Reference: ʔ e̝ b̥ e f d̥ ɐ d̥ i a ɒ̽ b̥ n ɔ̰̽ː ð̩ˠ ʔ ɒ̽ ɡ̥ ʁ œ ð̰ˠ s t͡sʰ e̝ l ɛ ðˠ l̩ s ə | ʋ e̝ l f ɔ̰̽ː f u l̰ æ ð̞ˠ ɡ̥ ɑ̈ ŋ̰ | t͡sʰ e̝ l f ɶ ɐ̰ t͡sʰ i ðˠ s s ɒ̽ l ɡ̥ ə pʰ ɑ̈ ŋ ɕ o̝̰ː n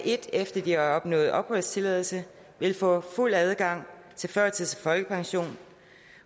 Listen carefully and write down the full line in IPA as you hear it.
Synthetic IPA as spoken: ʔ e̝ d̥ e f d̥ ɐ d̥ i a ɒ̽ b̥ n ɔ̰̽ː ð̩ˠ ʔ ɒ̽ b̥ ʁ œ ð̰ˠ s t͡sʰ e̝ l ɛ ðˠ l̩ s ə | ʋ e̝ l f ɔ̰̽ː f u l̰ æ ð̞ˠ ɡ̥ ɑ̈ ŋ̰ | t͡sʰ e̝ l f ɶ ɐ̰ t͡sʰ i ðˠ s f ɒ̽ l ɡ̥ ə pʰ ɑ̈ ŋ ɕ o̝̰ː n